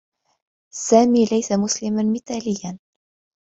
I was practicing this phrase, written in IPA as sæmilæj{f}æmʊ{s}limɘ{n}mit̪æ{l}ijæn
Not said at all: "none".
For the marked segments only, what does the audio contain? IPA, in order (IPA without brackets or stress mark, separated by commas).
s, s, n, l